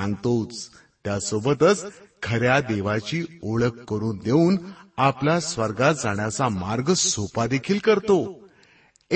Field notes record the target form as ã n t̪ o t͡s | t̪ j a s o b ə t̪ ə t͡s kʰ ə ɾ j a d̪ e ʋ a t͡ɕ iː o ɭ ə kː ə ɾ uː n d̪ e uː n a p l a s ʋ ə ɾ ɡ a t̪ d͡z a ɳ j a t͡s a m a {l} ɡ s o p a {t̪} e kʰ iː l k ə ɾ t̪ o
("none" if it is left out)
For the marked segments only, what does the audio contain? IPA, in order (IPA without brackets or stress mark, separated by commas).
ɾ, d̪